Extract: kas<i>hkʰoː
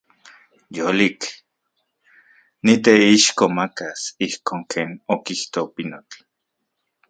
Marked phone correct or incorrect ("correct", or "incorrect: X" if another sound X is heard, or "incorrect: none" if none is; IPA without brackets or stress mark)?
correct